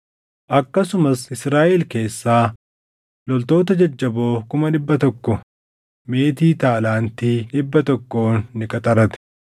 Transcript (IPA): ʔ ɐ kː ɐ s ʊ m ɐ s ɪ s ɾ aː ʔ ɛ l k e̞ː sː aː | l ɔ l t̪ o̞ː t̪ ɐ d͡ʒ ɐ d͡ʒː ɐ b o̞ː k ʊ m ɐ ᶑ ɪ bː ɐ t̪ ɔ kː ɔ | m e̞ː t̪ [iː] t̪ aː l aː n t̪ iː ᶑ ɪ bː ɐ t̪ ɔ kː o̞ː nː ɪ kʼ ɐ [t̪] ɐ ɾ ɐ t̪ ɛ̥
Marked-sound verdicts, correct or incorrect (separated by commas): correct, incorrect